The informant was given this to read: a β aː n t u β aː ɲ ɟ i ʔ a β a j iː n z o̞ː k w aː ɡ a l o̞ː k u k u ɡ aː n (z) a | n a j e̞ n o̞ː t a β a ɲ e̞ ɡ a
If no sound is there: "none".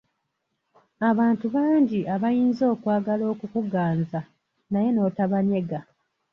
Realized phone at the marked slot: z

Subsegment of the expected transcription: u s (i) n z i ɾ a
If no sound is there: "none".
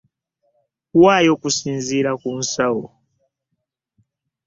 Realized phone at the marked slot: i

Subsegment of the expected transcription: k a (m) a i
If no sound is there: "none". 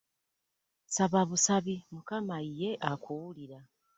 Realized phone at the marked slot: m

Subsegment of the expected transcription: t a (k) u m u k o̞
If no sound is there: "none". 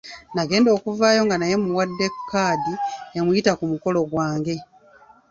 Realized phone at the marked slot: k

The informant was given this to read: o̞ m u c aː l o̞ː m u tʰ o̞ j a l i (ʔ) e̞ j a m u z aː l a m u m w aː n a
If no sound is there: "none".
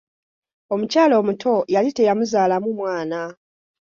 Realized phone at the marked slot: t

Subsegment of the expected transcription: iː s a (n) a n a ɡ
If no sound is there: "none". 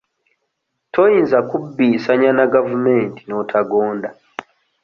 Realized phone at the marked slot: ɲ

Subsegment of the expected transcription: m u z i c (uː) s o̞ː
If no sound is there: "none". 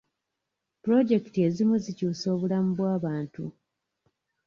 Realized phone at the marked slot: uː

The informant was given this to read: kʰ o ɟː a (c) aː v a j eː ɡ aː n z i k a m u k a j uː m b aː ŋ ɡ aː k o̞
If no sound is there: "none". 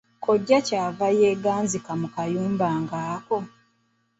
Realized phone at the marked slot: c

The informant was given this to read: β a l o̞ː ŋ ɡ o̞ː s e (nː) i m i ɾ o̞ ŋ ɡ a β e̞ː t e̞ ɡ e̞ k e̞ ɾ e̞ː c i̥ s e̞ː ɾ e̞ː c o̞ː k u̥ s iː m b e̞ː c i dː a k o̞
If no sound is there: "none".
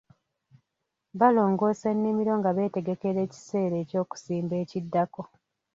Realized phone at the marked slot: nː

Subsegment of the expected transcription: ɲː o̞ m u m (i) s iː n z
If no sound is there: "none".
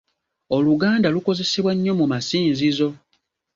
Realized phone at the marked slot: a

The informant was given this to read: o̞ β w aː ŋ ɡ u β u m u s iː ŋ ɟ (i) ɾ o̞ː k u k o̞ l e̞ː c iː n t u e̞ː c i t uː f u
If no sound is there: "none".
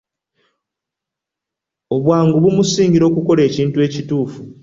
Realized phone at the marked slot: i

